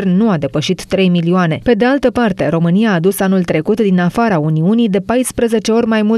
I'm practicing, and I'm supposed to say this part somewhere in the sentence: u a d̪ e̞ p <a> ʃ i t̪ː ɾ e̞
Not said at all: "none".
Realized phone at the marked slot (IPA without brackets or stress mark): ə